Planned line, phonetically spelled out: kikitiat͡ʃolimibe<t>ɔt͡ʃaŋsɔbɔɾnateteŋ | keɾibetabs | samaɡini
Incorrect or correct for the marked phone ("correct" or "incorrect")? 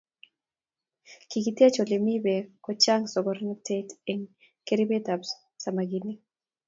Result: incorrect